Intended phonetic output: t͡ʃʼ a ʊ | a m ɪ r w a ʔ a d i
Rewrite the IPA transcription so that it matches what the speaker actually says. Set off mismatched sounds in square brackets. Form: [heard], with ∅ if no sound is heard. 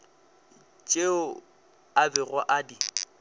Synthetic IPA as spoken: t͡ʃʼ [e] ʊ | a [b] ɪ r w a ʔ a d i